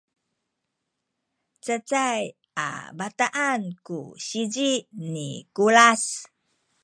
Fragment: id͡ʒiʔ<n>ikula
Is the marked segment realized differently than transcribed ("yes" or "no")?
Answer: no